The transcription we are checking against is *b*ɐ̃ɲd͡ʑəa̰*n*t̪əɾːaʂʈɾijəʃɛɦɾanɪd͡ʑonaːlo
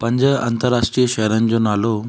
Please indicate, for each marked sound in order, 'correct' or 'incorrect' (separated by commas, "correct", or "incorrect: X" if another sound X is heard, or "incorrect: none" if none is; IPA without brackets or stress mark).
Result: incorrect: p, correct